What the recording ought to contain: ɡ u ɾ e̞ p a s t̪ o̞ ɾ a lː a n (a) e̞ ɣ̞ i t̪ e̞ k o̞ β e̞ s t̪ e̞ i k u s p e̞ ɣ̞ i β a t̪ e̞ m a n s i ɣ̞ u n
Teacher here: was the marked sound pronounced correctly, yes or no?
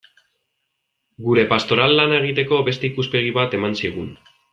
yes